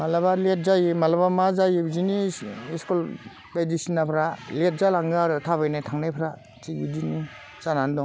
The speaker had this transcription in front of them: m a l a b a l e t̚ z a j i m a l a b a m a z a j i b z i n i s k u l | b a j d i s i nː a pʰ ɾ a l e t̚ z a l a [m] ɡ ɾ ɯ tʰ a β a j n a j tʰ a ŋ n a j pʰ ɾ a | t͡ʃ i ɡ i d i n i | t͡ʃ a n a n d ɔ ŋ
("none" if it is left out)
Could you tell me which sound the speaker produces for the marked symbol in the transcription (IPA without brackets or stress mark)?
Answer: ŋ